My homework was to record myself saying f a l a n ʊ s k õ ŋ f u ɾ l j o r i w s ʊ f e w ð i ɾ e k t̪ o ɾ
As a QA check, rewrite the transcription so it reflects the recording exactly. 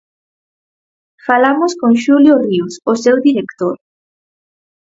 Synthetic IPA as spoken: f a l a m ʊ s k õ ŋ ʃ u l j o r i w s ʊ s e w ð i ɾ e k t̪ o ɾ